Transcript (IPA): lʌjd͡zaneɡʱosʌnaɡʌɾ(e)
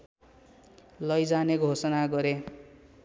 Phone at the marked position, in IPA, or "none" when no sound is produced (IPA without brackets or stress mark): e